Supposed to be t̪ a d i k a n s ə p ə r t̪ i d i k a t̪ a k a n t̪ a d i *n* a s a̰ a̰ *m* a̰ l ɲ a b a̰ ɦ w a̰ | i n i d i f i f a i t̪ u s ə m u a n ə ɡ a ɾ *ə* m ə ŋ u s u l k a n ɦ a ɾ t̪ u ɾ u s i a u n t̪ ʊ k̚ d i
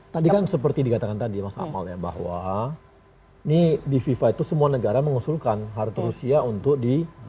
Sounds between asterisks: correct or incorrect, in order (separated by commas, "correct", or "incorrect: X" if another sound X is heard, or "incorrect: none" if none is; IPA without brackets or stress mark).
incorrect: m, correct, incorrect: a